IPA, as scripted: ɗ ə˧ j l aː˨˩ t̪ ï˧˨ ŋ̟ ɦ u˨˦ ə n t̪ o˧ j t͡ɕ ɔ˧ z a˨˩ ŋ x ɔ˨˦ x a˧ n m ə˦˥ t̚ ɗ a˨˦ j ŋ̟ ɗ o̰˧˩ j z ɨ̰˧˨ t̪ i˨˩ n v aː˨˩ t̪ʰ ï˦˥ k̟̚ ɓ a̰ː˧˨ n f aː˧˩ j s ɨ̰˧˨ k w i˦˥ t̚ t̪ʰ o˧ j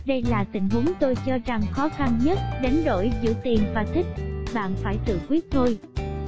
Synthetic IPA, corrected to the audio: ɗ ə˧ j l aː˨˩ t̪ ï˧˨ ŋ̟ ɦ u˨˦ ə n t̪ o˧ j t͡ɕ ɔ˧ z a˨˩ ŋ x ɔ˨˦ x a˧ n ɲ ə˦˥ t̚ ɗ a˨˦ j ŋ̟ ɗ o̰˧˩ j z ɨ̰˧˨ t̪ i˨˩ n v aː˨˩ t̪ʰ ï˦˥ k̟̚ ɓ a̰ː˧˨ n f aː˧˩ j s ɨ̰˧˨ k w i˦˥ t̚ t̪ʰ o˧ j